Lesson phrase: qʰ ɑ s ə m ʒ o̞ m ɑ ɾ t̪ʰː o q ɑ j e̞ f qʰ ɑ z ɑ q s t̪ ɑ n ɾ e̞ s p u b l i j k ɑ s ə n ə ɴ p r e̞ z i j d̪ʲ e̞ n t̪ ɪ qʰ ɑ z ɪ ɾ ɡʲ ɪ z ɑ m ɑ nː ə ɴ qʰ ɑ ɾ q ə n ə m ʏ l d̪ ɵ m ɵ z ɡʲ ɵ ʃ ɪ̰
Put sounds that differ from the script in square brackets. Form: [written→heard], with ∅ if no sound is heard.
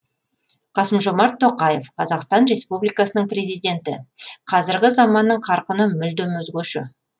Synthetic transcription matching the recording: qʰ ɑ s ə m ʒ o̞ m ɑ ɾ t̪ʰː o q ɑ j e̞ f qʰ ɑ z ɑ q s t̪ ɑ n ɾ e̞ s p u b l i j k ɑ s ə n ə ɴ p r e̞ z i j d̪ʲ e̞ n t̪ ɪ qʰ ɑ z ɪ ɾ ɡʲ ɪ z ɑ m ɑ nː ə ɴ qʰ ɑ ɾ q ə n ə m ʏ l d̪ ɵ m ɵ z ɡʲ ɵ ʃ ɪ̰